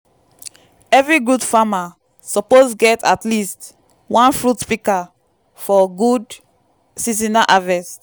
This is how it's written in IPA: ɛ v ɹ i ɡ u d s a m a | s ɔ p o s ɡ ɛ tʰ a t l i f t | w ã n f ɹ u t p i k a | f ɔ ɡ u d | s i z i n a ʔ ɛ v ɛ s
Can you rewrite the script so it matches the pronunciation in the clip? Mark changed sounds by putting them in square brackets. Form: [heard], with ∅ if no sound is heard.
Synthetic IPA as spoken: ɛ v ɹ i ɡ u d [f] a m a | s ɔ p o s ɡ ɛ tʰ a t l i [s] t | w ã n f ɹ u t p i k a | f ɔ ɡ u d | s i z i n a ʔ [a] v ɛ s